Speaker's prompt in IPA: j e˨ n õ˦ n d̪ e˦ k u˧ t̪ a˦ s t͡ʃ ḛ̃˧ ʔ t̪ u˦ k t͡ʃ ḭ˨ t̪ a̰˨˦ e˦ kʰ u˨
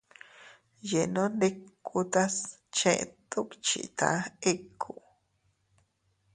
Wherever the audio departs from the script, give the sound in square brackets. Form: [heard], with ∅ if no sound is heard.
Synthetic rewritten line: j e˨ n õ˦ n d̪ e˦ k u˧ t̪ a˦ s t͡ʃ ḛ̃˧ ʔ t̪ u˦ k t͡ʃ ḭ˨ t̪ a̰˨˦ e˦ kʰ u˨